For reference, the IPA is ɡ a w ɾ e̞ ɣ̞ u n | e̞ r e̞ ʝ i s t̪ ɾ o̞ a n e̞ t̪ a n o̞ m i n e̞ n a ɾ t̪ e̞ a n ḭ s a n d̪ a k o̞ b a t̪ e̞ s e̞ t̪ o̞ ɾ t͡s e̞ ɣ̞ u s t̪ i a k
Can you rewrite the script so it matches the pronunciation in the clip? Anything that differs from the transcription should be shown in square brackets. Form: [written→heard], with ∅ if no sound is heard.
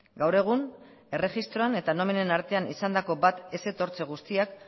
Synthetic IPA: ɡ a w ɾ e̞ ɣ̞ u n | e̞ r e̞ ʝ i s t̪ ɾ o̞ a n e̞ t̪ a n o̞ m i n e̞ n a ɾ t̪ e̞ a n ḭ s a n d̪ a k o̞ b a t̪ e̞ s e̞ t̪ o̞ ɾ t͡s e̞ ɣ̞ u s t̪ i a k